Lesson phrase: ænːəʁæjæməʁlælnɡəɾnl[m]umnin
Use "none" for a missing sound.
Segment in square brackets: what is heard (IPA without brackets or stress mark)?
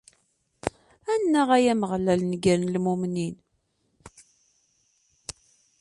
m